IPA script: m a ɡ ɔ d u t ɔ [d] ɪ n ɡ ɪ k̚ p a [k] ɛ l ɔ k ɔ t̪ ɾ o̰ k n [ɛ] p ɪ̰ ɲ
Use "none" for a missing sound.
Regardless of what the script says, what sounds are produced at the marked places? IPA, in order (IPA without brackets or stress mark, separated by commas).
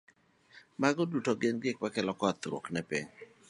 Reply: ɡ, k, ɛ